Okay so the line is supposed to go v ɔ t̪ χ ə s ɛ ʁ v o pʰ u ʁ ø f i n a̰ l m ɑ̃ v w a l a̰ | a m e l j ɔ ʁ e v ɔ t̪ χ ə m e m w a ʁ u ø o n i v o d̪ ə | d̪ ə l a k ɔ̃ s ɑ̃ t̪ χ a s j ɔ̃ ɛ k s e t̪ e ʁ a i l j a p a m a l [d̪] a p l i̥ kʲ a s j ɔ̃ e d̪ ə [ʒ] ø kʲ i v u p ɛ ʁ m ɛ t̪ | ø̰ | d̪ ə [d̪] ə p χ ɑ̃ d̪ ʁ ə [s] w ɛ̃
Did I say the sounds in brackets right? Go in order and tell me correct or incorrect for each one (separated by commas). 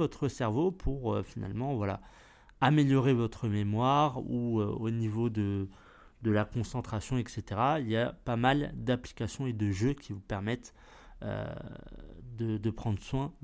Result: correct, correct, correct, correct